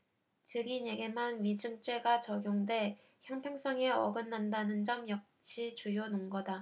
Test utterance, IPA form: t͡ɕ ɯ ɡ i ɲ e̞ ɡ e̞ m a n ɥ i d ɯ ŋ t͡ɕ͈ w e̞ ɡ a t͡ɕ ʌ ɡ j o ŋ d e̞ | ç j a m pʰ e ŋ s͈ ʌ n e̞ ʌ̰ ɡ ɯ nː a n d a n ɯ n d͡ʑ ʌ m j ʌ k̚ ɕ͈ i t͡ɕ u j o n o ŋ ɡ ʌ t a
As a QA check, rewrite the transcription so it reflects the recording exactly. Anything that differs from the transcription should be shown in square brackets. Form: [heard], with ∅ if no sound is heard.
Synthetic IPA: t͡ɕ ɯ ɡ i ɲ e̞ ɡ e̞ m a n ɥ i [d͡ʑ] ɯ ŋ t͡ɕ͈ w e̞ ɡ a t͡ɕ ʌ ɡ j o ŋ d e̞ | ç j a [ŋ] pʰ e ŋ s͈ ʌ [ŋ] e̞ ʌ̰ ɡ ɯ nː a n d a n ɯ n d͡ʑ ʌ m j ʌ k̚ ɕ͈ i t͡ɕ u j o n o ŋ ɡ ʌ [d] a